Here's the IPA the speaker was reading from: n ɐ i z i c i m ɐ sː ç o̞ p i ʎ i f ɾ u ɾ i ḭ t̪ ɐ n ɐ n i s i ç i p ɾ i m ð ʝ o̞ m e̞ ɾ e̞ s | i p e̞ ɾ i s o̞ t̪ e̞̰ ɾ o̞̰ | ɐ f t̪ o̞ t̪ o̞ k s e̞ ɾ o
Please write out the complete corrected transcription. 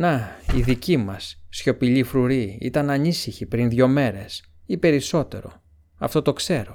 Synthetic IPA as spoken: n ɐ i ð i c i m ɐ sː ç o̞ p i ʎ i f ɾ u ɾ i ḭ t̪ ɐ n ɐ n i s i ç i p ɾ i n ð ʝ o̞ m e̞ ɾ e̞ s | i p e̞ ɾ i s o̞ t̪ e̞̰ ɾ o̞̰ | ɐ f t̪ o̞ t̪ o̞ k s e̞ ɾ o